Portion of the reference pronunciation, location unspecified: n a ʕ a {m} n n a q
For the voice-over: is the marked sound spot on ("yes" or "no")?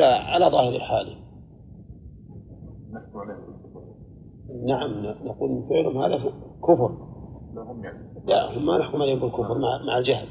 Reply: yes